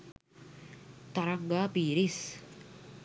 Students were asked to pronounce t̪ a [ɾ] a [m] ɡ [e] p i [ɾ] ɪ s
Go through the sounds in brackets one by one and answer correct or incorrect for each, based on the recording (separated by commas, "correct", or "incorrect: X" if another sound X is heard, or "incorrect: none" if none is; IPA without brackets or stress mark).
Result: correct, incorrect: ŋ, incorrect: a, correct